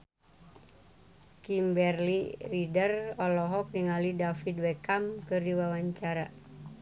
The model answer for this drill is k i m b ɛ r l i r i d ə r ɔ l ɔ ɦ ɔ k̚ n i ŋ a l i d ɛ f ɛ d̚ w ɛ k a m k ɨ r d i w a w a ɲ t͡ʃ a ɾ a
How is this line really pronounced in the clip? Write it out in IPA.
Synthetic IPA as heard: k i m b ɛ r l i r i d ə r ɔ l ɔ ɦ ɔ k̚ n i ŋ a l i d a f i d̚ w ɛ k a m k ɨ r d i w a w a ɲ t͡ʃ a ɾ a

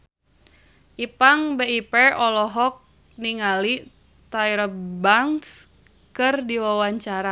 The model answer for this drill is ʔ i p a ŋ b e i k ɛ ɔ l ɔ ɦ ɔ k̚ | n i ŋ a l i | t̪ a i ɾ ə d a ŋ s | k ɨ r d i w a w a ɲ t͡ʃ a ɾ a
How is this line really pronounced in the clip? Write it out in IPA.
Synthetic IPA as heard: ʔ i p a ŋ b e i p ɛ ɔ l ɔ ɦ ɔ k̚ | n i ŋ a l i | t̪ a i ɾ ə b a ŋ s | k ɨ r d i w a w a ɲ t͡ʃ a ɾ a

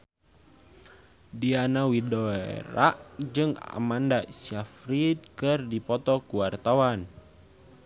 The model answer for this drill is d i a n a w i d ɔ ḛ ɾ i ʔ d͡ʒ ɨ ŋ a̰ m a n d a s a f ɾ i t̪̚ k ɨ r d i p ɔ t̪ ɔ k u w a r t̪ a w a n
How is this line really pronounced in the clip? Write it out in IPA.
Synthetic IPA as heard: d i a n a w i d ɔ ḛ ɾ a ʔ d͡ʒ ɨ ŋ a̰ m a n d a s a f ɾ i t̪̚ k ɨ r d i p ɔ t̪ ɔ k u w a r t̪ a w a n

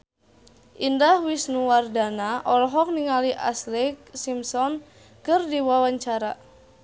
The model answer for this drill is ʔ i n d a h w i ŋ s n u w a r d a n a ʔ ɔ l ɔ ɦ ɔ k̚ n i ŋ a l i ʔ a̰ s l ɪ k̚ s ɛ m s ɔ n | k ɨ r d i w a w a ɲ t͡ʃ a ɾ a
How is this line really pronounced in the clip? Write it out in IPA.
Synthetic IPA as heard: ʔ i n d a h w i s n u w a r d a n a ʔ ɔ l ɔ ɦ ɔ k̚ n i ŋ a l i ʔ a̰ s l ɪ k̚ s i m s ɔ n | k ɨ r d i w a w a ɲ t͡ʃ a ɾ a

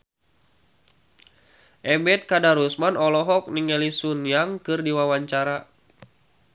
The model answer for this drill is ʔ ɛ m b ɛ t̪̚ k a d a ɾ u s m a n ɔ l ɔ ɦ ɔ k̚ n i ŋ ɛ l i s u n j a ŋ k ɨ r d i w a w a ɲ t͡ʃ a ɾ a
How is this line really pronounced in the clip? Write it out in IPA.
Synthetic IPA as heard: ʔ ɛ m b ɛ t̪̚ k a d a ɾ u s m a n ɔ l ɔ ɦ ɔ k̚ n i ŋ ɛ l i s u n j a ŋ k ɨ r d i w a w a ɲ t͡ʃ a ɾ a

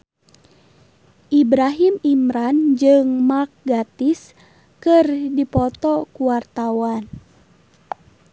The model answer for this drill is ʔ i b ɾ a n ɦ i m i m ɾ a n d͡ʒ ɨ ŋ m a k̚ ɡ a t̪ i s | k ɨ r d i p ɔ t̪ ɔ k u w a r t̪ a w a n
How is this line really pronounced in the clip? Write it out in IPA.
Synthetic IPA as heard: ʔ i b ɾ a ɦ i m i m ɾ a n d͡ʒ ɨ ŋ m a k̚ ɡ a t̪ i s | k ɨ r d i p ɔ t̪ ɔ k u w a r t̪ a w a n

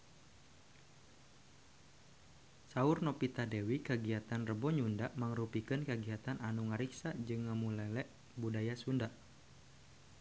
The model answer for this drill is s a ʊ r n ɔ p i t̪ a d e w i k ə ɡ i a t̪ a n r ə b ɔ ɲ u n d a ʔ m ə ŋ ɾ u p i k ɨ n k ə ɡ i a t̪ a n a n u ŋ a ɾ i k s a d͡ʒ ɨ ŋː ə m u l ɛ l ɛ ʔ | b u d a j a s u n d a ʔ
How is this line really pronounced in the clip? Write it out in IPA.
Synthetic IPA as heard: s a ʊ r n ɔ p i t̪ a d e w i k ə ɡ i a t̪ a n r ə b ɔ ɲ u n d a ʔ m ə ŋ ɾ u p i k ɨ n k ə ɡ i a t̪ a n a n u ŋ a ɾ i k s a d͡ʒ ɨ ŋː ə m u l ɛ l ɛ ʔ | b u d a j a s u n d a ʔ

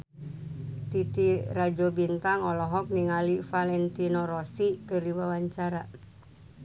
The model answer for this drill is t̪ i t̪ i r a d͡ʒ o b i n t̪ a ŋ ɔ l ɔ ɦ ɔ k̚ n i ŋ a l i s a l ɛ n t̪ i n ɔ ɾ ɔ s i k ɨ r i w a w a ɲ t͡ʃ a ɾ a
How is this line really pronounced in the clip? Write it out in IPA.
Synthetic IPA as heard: t̪ i t̪ i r a d͡ʒ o b i n t̪ a ŋ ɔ l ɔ ɦ ɔ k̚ n i ŋ a l i f a l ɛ n t̪ i n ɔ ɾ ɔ s i k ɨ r i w a w a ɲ t͡ʃ a ɾ a

